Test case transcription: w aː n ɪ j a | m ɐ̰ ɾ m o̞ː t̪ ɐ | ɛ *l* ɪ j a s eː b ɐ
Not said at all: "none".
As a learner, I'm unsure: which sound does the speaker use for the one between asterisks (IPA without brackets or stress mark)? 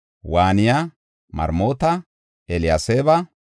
l